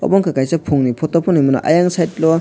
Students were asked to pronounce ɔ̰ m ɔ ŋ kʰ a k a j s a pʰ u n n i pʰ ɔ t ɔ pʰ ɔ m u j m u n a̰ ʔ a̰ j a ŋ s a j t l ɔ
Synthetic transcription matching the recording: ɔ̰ b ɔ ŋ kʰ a k a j s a pʰ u ŋ n i pʰ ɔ t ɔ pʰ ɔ n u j m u n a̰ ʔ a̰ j a ŋ s a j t l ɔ